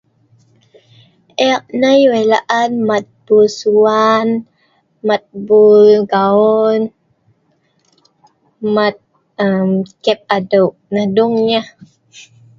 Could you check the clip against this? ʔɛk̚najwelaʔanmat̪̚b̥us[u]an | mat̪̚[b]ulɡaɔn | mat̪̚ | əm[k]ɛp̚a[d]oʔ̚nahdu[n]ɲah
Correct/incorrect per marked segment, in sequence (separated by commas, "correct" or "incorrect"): correct, correct, correct, correct, incorrect